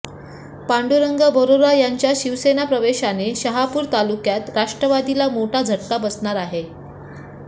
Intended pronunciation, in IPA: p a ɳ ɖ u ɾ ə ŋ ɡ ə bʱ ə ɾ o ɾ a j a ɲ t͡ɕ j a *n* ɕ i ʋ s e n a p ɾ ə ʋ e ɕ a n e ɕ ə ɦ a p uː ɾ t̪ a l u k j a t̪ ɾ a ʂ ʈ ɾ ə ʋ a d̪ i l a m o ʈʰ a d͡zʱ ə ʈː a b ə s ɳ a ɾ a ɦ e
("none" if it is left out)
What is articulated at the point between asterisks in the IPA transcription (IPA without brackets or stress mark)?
none